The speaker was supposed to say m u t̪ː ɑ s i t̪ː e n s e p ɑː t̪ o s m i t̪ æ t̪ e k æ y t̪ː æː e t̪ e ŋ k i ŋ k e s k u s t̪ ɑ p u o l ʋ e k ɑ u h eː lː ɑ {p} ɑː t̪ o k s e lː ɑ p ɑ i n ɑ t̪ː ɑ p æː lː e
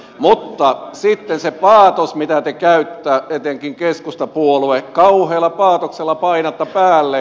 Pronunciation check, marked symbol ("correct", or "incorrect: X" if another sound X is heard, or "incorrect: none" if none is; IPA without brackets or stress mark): correct